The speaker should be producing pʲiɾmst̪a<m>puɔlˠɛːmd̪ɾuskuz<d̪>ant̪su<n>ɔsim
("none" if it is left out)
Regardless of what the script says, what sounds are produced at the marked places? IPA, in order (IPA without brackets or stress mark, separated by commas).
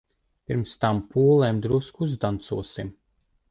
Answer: m, d̪, none